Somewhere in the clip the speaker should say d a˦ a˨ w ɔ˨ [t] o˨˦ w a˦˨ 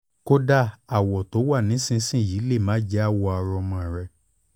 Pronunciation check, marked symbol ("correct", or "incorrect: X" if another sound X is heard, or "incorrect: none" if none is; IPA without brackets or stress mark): correct